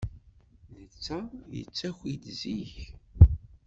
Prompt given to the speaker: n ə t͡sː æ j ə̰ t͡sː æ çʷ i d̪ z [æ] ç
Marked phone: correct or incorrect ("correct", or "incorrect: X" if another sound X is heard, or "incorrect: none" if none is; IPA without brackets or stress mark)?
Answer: incorrect: i